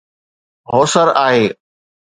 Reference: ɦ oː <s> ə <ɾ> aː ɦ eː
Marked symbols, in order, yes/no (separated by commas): yes, yes